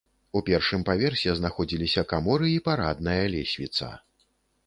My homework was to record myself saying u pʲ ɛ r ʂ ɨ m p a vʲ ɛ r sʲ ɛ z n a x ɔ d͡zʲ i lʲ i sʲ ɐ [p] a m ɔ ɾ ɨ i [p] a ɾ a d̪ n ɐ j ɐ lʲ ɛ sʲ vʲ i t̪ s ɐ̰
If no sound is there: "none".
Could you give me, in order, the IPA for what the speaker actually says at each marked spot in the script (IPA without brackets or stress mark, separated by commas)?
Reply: k, p